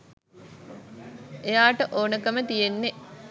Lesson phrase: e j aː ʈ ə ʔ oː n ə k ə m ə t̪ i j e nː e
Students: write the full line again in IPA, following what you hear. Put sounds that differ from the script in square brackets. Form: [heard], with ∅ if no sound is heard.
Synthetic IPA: e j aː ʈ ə ʔ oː n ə k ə m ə t̪ i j e nː e